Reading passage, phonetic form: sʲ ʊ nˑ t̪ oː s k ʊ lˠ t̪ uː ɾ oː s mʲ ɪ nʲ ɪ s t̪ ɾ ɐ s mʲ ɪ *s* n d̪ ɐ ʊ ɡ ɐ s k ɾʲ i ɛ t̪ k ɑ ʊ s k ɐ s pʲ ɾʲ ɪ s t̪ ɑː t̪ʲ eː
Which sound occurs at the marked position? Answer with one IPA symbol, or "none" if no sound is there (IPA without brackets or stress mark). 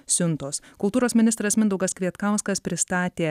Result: none